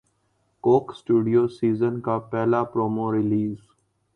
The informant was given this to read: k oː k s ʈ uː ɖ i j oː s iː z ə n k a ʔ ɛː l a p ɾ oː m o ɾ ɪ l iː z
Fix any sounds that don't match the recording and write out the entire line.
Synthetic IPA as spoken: k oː k s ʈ uː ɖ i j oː s iː z ə n k a p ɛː l a p ɾ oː m o ɾ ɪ l iː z